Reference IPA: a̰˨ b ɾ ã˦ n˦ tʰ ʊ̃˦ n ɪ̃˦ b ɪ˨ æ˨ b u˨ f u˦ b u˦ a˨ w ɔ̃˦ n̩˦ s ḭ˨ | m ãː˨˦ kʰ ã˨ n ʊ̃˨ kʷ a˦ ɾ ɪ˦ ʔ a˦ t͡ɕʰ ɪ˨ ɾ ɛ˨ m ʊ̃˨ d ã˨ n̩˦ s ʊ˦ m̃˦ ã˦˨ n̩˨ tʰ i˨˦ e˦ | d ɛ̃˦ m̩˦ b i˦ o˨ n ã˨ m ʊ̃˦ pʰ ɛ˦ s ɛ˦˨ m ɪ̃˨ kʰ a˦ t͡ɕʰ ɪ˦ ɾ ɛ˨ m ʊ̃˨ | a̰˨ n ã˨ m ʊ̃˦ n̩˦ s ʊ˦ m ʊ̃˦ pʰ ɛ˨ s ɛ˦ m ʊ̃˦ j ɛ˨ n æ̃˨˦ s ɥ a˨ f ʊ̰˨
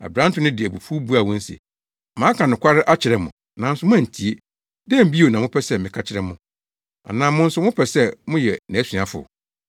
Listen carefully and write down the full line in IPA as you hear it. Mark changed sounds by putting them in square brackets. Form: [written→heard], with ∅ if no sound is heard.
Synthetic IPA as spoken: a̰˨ b ɾ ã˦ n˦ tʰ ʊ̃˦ n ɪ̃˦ [b→d] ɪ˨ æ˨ b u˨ f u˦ b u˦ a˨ w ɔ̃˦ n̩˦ s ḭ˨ | m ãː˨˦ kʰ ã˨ n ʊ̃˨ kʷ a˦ ɾ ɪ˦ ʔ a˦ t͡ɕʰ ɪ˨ ɾ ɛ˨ m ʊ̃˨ [d→n] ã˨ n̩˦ s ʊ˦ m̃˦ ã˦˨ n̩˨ tʰ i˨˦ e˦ | d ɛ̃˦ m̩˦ b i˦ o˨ n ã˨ m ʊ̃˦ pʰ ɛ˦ s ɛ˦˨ m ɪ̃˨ kʰ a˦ t͡ɕʰ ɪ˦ ɾ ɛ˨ m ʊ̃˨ | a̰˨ n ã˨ m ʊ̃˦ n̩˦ s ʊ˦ m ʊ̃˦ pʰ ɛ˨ s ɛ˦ m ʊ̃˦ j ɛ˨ n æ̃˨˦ s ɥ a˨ f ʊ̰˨

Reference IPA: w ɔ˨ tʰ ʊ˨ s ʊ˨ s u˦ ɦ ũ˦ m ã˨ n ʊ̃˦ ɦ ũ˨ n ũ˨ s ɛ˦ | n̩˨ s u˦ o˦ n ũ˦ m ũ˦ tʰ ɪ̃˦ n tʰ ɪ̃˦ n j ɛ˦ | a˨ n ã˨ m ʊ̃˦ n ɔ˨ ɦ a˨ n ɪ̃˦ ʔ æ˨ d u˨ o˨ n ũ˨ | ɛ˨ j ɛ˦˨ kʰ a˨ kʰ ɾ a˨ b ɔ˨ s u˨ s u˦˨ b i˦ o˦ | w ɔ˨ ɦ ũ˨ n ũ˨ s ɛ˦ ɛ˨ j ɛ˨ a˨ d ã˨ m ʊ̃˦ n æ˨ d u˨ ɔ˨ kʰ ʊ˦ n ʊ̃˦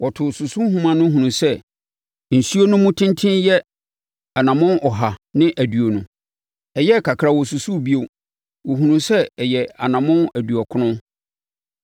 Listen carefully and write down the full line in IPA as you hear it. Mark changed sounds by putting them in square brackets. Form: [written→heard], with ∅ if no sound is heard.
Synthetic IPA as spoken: w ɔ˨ tʰ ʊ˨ s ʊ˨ s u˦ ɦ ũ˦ m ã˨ n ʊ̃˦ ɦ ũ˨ n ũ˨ s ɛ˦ | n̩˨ s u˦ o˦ n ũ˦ m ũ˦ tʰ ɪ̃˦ n tʰ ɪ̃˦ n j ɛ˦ | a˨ n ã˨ m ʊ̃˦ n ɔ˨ ɦ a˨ n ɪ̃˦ ʔ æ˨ d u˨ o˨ n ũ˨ | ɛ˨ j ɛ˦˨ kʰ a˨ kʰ ɾ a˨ [b→w] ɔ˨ s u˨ s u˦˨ b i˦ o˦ | w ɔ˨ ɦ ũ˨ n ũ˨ s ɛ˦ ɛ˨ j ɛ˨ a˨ [d→n] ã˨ m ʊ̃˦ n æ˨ d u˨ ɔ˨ kʰ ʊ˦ n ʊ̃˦

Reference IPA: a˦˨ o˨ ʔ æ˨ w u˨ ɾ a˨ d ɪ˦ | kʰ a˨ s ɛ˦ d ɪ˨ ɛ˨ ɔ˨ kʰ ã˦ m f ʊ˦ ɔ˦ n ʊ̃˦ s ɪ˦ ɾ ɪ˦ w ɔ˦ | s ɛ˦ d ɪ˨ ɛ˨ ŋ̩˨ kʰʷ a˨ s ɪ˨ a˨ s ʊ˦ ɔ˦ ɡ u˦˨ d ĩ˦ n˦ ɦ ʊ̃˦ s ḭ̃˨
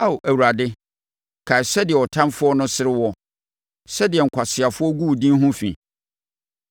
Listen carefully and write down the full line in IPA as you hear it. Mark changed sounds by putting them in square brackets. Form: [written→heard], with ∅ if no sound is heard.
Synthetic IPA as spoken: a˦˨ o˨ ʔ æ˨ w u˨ ɾ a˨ d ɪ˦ | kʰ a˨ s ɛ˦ d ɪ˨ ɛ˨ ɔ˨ [kʰ→tʰ] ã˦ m f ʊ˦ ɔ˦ n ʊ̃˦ s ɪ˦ ɾ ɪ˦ w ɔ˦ | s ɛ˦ d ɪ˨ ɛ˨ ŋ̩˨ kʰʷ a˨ s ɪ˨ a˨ [s→f] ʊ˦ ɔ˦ ɡ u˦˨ d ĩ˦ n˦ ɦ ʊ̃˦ [s→f] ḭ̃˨

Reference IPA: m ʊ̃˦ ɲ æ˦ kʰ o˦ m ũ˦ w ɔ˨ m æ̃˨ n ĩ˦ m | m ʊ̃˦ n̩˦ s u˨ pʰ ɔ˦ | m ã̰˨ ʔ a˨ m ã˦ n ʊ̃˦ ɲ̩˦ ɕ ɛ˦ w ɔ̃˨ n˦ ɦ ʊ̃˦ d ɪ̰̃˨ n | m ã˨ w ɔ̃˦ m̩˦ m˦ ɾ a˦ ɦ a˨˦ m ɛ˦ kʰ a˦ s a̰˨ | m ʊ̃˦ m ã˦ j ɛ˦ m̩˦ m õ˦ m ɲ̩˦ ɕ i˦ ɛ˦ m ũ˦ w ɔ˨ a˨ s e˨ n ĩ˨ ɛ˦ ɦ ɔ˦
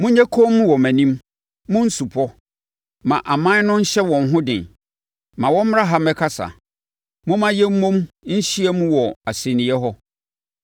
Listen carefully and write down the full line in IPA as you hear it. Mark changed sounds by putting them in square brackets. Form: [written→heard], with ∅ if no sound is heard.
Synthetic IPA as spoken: m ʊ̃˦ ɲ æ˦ kʰ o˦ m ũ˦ w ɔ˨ m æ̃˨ n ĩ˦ m | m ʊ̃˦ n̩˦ s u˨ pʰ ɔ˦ | m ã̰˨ ʔ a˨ m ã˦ n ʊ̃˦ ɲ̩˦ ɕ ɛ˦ w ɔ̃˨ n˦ ɦ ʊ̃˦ d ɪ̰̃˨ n | m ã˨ w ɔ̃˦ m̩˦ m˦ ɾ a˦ ɦ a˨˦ m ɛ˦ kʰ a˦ s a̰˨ | m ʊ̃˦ m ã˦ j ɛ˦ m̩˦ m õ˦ m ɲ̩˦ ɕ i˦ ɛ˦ m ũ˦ w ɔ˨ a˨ s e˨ n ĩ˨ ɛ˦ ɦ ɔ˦

